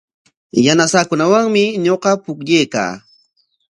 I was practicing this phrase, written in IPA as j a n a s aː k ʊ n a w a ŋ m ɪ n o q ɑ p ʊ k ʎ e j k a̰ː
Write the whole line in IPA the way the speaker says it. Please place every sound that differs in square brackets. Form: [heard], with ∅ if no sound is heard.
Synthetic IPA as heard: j a n a s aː k ʊ n a w a ŋ m ɪ [ɲ] o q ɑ p ʊ k ʎ e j k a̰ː